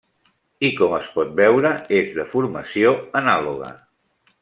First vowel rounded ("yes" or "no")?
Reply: no